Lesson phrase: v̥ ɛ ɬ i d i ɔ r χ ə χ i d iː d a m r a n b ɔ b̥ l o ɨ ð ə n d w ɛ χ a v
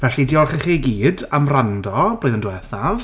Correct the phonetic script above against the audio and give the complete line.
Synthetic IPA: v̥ ɛ ɬ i d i ɔ r χ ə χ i ɡ iː d a m r a n d ɔ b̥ l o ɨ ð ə n d w ɛ θ a v